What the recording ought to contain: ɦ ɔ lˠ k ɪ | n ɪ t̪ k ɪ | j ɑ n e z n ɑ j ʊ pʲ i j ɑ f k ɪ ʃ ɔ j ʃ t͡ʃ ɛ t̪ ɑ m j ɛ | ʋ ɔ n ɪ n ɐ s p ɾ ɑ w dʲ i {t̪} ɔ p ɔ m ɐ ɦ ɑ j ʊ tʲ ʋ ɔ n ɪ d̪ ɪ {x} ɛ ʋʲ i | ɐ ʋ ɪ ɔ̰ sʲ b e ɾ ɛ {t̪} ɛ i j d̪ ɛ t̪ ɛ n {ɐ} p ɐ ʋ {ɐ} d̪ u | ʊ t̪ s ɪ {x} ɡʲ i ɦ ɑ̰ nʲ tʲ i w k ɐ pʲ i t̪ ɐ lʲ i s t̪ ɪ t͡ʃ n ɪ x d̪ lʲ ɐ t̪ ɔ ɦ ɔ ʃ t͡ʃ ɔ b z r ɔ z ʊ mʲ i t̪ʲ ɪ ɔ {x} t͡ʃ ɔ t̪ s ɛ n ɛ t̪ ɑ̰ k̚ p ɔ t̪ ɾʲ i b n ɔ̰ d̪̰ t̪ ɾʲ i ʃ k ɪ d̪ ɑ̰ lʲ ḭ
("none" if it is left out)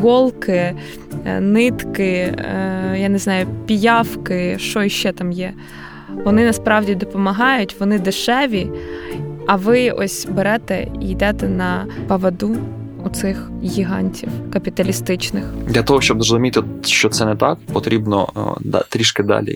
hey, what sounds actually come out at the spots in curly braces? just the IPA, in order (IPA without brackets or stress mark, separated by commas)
d̪, ʃ, t̪, ɐ, ɐ, x, ʃ